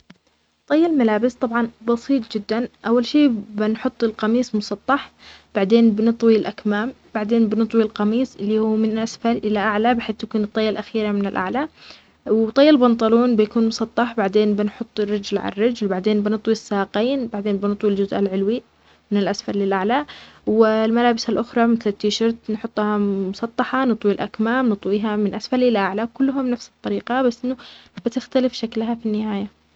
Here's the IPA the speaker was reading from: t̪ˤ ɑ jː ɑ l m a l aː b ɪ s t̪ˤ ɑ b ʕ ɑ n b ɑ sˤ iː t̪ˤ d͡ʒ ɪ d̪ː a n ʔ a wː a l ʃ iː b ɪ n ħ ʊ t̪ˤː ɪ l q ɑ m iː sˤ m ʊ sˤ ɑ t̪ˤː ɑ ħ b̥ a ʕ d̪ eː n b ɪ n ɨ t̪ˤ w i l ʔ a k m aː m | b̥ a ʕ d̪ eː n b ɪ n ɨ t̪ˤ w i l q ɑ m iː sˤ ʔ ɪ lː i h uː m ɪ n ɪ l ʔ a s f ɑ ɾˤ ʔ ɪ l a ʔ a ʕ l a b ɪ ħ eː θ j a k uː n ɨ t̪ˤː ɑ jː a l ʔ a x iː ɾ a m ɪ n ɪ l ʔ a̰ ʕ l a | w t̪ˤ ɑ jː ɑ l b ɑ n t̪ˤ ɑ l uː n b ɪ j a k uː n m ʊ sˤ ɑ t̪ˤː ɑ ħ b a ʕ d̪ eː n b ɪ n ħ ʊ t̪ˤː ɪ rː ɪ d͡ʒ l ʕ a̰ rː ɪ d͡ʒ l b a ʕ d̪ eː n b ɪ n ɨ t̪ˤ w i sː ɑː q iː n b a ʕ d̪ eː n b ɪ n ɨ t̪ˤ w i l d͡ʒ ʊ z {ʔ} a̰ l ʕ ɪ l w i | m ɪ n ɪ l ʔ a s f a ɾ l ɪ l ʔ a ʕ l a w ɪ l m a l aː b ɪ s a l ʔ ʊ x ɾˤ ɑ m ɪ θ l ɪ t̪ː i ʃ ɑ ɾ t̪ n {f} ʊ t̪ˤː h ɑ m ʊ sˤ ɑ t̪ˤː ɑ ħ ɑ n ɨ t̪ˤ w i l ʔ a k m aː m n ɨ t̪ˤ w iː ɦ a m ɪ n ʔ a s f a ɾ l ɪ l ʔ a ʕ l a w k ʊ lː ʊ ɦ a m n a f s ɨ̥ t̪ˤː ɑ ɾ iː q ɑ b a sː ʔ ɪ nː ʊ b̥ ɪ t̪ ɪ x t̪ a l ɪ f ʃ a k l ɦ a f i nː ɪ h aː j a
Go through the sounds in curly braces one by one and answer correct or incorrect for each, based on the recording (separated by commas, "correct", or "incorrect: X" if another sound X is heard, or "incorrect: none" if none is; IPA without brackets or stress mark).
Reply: correct, incorrect: ħ